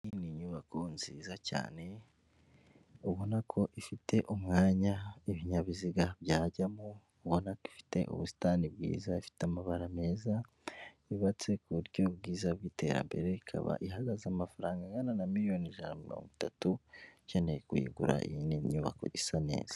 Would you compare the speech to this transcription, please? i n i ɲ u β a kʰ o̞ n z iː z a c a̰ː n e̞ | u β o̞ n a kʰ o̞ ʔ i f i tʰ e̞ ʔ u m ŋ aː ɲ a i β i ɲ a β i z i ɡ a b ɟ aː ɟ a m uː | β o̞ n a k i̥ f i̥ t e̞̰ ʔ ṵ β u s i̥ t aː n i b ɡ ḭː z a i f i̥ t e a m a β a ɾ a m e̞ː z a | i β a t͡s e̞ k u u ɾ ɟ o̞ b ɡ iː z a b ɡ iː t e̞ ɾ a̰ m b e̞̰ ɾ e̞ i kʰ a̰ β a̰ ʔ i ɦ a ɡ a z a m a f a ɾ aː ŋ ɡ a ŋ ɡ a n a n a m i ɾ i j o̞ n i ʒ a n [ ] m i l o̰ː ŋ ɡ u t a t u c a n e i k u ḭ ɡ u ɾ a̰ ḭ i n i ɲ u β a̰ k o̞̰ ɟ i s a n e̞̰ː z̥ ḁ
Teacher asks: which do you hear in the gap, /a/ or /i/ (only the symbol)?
a